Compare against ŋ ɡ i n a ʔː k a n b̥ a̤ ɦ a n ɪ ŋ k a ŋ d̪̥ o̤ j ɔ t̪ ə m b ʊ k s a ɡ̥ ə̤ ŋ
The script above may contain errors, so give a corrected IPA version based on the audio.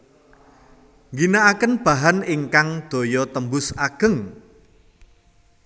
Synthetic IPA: ŋ ɡ i n a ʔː k ə n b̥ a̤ ɦ a n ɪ ŋ k a ŋ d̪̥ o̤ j ɔ t̪ ə m b ʊ s a ɡ̥ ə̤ ŋ